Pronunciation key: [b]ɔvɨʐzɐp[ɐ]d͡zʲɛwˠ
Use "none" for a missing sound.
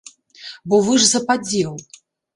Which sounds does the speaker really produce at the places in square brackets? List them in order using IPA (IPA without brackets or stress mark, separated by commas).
b, a